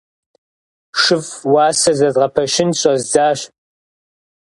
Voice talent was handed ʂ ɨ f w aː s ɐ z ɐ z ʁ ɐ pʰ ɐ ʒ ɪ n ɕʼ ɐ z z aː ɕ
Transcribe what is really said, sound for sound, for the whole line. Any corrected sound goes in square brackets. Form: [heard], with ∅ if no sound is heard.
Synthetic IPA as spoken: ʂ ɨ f w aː s ɐ z ɐ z ʁ ɐ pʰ ɐ [ʃ] ɪ n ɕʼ ɐ z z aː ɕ